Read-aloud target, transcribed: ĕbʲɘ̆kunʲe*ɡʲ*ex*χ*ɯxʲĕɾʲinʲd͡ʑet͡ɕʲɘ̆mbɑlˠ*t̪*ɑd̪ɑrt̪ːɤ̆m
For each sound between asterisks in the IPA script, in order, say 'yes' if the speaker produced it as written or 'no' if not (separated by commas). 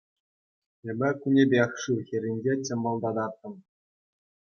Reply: no, no, no